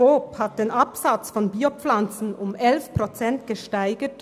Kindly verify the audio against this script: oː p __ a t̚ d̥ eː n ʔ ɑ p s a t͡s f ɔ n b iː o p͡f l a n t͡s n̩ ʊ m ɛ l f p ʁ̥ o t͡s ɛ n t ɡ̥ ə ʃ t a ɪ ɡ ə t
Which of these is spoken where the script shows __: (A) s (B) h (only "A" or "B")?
B